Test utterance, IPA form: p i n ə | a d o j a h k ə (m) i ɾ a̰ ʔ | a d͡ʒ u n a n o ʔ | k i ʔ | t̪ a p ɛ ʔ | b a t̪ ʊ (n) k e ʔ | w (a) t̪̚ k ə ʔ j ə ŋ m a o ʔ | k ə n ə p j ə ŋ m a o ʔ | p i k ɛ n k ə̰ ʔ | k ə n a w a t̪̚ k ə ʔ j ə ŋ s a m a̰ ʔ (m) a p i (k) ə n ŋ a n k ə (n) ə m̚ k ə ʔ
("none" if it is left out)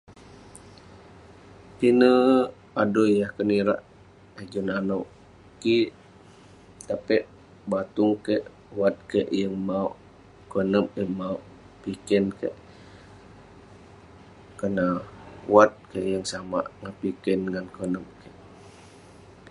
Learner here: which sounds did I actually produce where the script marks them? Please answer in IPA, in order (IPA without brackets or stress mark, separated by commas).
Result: n, ŋ, a, ŋ, k, n